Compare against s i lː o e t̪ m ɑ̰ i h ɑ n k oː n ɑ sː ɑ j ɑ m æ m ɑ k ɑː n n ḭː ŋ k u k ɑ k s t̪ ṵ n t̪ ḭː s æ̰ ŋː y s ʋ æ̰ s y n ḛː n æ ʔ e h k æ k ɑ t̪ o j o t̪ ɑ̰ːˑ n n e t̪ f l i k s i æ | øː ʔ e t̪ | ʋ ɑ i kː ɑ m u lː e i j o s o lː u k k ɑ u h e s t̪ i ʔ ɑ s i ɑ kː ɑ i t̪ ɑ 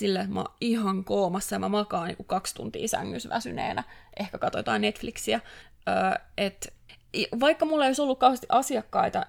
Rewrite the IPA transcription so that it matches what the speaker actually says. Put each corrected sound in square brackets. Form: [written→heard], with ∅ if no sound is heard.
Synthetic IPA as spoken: s i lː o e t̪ m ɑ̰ i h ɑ [n→ŋ] k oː [n→m] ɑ sː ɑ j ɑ m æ m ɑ k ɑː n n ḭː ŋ k u k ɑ k s t̪ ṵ n t̪ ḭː s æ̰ ŋː y s ʋ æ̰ s y n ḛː n æ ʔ e h k æ k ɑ t̪ o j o t̪ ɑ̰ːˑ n n e t̪ f l i k s i æ | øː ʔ e t̪ | ʋ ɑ i kː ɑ m u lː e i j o s o lː u k k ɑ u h e s t̪ i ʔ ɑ s i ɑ kː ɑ i t̪ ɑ